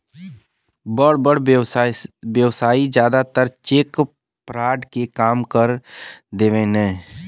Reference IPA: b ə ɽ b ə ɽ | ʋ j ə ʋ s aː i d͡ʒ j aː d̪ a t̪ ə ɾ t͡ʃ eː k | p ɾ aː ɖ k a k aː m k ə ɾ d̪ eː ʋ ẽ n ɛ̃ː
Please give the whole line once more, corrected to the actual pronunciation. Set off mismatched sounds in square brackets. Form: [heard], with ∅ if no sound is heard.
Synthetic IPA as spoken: b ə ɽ b ə ɽ | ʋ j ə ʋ s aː i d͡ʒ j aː d̪ a t̪ ə ɾ t͡ʃ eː k | p ɾ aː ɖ k [e] k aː m k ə ɾ d̪ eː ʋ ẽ n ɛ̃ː